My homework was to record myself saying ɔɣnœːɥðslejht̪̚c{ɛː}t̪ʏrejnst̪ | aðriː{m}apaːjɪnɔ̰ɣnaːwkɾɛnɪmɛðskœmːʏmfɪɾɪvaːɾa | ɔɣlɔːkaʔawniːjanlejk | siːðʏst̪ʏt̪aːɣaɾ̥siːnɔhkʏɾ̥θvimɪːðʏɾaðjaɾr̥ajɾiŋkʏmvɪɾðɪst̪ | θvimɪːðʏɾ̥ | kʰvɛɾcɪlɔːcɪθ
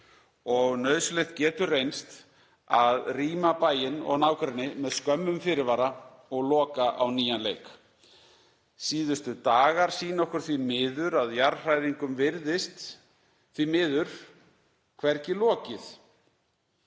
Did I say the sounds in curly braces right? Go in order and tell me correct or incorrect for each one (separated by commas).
correct, correct